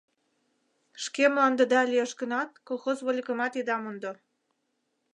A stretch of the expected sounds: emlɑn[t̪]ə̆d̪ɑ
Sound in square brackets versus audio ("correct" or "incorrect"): incorrect